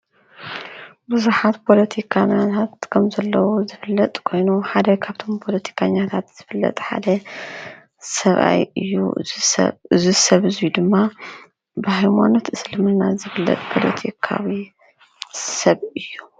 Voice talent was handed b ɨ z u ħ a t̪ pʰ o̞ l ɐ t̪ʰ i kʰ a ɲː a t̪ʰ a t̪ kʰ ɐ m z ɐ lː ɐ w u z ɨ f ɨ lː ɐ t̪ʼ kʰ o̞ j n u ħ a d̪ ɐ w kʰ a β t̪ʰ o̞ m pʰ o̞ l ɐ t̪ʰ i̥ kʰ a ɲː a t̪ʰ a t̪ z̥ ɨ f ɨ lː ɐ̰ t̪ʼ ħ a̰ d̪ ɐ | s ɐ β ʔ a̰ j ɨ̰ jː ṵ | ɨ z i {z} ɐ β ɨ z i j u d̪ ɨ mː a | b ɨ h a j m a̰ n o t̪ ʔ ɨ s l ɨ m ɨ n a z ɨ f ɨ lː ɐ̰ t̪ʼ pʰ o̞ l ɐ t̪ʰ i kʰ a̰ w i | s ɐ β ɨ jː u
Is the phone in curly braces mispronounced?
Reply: yes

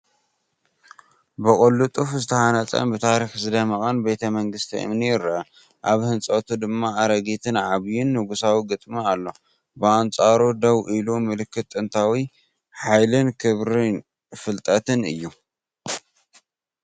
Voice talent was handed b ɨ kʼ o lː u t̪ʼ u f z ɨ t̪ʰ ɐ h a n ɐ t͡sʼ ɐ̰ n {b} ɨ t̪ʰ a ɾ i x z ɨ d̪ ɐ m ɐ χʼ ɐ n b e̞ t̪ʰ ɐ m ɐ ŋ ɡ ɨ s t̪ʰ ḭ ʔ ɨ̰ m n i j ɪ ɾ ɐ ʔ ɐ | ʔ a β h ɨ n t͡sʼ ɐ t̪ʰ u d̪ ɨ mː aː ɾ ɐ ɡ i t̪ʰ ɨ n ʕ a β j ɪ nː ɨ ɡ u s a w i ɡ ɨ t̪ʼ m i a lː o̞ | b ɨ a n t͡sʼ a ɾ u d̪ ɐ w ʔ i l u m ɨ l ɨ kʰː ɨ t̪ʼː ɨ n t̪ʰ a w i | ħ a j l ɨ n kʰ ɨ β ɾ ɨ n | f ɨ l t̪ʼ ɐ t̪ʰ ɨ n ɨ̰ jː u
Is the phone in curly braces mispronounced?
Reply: no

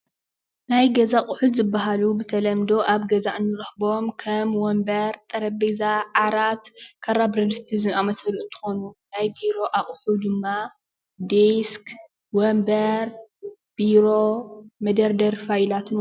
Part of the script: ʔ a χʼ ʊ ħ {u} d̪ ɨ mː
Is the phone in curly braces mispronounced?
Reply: no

